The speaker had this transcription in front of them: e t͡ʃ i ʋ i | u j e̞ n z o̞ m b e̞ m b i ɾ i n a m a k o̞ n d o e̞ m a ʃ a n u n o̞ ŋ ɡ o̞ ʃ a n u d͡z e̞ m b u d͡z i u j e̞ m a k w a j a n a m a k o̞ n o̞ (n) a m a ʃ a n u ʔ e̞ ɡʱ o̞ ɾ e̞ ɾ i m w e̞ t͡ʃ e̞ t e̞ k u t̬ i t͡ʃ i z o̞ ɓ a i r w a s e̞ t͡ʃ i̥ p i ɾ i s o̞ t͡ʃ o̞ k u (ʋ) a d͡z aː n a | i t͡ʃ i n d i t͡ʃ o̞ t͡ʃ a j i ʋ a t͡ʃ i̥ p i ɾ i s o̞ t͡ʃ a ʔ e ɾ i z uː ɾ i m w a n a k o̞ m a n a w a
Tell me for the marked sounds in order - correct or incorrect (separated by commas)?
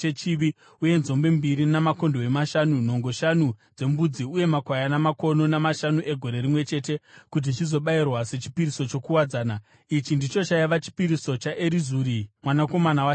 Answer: correct, incorrect